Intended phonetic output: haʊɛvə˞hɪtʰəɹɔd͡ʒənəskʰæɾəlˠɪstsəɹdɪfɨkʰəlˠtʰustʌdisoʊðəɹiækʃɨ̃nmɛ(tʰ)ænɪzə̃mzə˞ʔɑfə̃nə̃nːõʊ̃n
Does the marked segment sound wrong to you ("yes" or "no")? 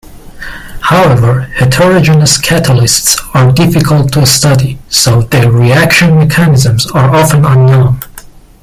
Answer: yes